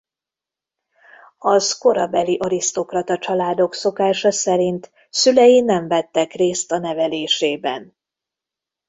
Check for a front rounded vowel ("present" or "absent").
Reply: present